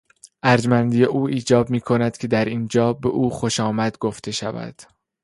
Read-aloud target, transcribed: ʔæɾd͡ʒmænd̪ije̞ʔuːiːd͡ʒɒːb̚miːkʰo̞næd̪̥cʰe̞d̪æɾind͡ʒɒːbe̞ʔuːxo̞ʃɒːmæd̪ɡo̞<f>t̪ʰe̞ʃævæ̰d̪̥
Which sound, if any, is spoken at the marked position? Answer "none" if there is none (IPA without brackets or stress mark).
f